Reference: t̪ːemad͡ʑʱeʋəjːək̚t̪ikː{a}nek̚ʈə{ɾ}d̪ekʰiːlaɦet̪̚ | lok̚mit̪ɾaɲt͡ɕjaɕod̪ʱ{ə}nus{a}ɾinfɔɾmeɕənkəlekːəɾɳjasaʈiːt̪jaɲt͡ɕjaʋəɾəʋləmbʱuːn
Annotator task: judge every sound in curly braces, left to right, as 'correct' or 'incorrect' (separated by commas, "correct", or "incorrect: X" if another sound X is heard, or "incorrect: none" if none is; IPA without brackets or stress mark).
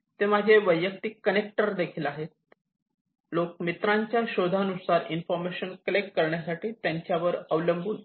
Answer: incorrect: ə, correct, incorrect: a, correct